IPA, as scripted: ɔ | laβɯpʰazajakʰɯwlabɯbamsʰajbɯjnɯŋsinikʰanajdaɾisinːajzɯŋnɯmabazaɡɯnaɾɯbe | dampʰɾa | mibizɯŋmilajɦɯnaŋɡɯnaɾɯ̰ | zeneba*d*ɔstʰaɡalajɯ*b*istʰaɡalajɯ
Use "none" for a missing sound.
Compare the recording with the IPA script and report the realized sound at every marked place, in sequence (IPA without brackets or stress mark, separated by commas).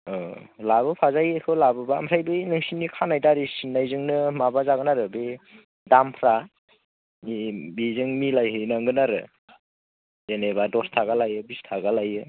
d, b